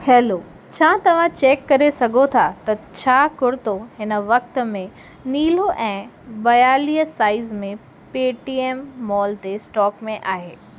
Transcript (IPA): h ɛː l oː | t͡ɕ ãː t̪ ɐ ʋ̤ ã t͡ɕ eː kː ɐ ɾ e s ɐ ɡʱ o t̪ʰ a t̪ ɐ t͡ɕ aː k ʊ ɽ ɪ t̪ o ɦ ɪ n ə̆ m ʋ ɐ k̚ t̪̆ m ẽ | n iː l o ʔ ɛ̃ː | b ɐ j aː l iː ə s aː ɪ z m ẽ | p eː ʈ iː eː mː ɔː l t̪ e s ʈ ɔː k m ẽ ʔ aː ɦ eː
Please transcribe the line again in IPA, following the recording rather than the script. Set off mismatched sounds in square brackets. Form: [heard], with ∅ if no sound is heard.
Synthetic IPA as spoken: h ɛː l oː | [t͡ɕʰ] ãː t̪ ɐ ʋ̤ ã t͡ɕ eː kː ɐ ɾ e s ɐ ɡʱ o t̪ʰ a t̪ ɐ [t͡ɕʰ] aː k ʊ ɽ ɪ t̪ o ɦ ɪ n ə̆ [∅] ʋ ɐ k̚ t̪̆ m ẽ | n iː l o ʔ ɛ̃ː | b ɐ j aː l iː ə s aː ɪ z m ẽ | p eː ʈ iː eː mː ɔː l t̪ e s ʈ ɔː k m ẽ ʔ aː ɦ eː